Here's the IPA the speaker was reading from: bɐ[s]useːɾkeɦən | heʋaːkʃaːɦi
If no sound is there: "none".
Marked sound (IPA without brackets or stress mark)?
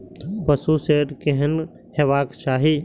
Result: s